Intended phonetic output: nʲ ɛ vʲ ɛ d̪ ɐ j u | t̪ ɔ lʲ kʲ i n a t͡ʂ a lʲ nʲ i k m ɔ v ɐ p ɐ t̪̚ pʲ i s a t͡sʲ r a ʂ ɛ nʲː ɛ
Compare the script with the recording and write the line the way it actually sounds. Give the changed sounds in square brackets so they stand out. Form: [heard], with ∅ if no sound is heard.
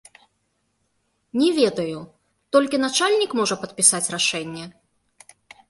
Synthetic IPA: nʲ ɛ vʲ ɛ d̪ ɐ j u | t̪ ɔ lʲ kʲ i n a t͡ʂ a lʲ nʲ i k m ɔ [ʐ] ɐ p ɐ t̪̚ pʲ i s a t͡sʲ r a ʂ ɛ nʲː ɛ